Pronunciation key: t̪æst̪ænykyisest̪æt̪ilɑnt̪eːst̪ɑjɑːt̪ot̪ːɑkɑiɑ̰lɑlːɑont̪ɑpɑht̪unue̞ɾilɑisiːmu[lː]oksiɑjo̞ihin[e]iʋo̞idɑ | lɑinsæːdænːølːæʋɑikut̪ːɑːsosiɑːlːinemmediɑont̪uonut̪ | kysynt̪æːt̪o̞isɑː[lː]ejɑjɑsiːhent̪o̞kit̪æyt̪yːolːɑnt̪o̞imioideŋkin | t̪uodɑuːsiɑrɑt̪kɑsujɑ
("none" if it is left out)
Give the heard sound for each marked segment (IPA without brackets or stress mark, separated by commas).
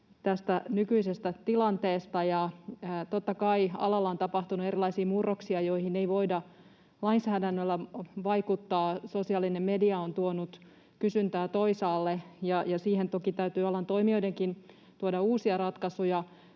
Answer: rː, e, lː